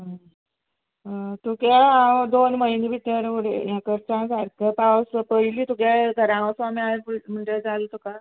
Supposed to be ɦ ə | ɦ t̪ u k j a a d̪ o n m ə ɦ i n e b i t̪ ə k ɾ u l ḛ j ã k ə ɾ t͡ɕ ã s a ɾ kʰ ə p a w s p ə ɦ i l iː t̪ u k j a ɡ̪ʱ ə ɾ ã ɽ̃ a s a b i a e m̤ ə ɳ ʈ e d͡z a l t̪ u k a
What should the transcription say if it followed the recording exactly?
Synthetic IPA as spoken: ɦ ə | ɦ t̪ u k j a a d̪ o n m ə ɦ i n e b i t̪ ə ɾ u ɽ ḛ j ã k ə ɾ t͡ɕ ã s a ɾ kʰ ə p a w s p ə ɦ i l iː t̪ u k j a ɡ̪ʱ ə ɾ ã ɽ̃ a s a m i a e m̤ ə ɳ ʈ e d͡z a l t̪ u k a